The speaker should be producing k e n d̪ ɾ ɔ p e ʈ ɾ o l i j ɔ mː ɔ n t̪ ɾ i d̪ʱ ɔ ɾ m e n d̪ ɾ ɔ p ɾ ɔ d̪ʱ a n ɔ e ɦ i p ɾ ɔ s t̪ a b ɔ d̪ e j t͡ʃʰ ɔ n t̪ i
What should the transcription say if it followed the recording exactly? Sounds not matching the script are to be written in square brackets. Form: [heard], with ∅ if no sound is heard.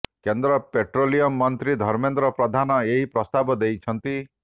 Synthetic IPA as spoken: k e n d̪ ɾ ɔ p e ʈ ɾ o l i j ɔ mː ɔ n t̪ ɾ i d̪ʱ ɔ ɾ m e n d̪ ɾ ɔ p ɾ ɔ d̪ʱ a n ɔ e ɦ i p ɾ ɔ s t̪ a b ɔ d̪ e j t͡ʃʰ ɔ n t̪ i